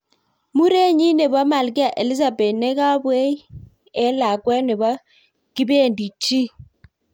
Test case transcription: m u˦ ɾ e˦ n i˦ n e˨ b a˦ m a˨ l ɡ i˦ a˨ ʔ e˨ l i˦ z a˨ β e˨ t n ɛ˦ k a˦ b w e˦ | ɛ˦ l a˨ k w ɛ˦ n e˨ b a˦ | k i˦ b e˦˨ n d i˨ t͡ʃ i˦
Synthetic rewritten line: m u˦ ɾ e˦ ɲ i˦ n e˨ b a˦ m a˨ l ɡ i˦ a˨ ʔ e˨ l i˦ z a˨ b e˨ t n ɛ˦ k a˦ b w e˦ | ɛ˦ l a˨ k w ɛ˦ n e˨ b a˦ | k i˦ b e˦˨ n d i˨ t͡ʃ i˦